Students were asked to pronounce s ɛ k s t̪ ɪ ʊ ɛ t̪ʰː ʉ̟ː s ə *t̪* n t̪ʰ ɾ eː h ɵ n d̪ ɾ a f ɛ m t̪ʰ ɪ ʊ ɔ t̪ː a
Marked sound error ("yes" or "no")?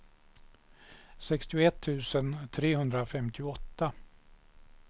yes